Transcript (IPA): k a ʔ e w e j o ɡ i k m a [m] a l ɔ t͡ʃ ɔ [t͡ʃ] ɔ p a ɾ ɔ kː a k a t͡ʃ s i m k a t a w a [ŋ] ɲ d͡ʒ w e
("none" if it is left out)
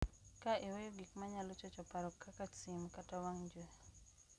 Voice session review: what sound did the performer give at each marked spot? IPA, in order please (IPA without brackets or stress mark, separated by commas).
ɲ, t͡ʃ, ŋ